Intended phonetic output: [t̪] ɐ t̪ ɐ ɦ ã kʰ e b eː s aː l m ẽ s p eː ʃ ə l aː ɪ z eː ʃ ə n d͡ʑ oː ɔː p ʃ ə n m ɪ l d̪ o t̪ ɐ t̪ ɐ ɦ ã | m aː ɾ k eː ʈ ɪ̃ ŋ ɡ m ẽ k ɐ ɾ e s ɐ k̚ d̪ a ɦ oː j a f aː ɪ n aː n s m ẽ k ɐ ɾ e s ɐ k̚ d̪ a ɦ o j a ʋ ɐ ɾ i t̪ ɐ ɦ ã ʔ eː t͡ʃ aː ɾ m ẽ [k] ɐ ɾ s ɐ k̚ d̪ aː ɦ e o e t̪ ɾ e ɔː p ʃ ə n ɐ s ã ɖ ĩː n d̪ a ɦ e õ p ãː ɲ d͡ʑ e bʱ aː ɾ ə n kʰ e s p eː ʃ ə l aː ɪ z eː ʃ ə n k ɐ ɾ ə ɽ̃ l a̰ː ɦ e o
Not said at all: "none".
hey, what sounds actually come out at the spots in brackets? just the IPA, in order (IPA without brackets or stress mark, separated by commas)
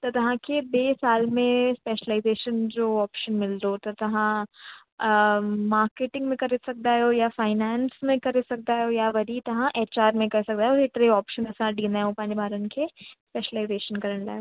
t̪, k